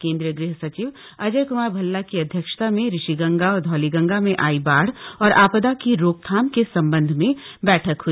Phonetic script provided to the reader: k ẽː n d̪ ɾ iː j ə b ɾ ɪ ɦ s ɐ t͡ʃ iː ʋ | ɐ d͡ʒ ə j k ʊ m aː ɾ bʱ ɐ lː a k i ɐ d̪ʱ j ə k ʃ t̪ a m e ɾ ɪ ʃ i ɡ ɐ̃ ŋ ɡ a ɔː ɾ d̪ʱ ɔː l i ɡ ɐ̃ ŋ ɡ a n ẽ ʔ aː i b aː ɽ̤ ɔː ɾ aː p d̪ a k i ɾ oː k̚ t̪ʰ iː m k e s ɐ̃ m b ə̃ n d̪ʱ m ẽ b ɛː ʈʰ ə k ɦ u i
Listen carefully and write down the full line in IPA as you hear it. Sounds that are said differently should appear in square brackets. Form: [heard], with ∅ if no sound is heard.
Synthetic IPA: k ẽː n d̪ ɾ [i] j ə [ɡ] ɾ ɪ ɦ s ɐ t͡ʃ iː ʋ | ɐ d͡ʒ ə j k ʊ m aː ɾ bʱ ɐ lː a k i ɐ d̪ʱ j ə k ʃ t̪ a m [ẽ] ɾ ɪ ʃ i ɡ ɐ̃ ŋ ɡ a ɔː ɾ d̪ʱ ɔː l i ɡ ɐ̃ ŋ ɡ a [m] ẽ ʔ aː i b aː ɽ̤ ɔː ɾ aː p d̪ a k i ɾ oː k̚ t̪ʰ [aː] m k e s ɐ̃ m b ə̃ n d̪ʱ m ẽ b ɛː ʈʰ ə k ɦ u i